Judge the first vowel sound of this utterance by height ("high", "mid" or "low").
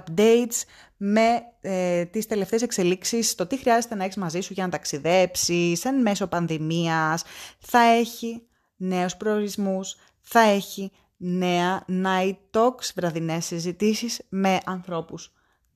mid